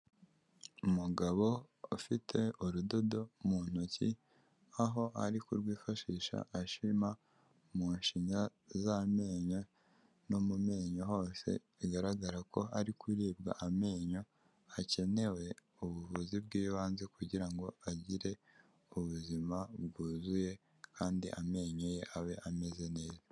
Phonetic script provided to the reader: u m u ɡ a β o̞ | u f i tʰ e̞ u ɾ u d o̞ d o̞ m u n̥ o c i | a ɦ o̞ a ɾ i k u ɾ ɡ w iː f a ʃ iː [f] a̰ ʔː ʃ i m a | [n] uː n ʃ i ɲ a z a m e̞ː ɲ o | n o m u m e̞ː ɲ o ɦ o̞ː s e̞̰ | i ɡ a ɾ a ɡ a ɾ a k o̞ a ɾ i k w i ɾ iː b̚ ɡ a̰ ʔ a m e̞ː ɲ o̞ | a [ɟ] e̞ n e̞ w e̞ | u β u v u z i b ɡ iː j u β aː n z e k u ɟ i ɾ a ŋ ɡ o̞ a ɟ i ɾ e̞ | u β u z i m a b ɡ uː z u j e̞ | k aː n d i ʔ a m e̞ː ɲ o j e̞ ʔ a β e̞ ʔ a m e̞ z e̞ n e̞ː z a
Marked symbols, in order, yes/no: no, no, no

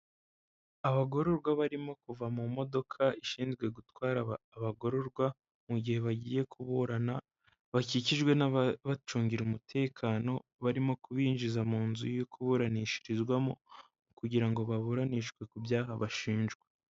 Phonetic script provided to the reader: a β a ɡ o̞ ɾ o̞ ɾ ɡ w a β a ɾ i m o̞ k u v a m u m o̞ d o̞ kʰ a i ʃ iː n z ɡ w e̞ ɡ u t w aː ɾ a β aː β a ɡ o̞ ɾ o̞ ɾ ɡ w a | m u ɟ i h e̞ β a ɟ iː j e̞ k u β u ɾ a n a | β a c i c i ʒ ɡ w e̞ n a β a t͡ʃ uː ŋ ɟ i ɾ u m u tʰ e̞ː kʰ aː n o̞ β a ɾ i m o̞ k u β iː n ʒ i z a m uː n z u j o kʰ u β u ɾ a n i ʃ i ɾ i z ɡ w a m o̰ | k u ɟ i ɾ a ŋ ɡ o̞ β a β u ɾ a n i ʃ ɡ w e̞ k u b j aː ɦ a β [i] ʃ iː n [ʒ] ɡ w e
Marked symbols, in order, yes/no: no, yes

